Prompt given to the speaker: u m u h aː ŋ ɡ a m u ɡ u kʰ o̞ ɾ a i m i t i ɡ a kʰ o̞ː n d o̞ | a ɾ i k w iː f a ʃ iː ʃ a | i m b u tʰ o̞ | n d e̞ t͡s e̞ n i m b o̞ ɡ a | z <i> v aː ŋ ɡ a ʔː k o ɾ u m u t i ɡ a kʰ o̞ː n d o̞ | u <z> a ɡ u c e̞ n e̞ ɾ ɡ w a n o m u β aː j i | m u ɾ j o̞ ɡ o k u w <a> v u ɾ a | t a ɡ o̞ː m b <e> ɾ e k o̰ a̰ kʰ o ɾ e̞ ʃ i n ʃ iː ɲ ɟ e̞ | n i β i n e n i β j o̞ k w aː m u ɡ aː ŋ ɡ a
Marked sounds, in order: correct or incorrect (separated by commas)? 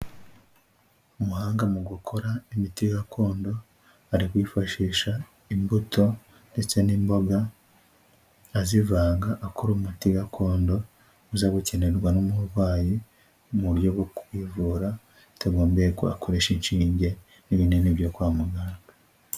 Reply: correct, correct, incorrect, correct